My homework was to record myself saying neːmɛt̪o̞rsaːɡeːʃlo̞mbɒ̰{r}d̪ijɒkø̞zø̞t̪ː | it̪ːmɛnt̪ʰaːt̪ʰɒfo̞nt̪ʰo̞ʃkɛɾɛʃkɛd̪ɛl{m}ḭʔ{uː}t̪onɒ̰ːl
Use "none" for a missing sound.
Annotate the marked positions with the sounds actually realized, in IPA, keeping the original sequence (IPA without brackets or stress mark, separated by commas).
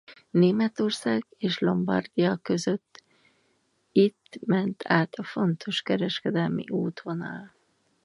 r, m, uː